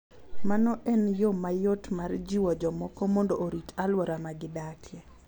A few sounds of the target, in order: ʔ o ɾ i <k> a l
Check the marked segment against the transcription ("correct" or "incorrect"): incorrect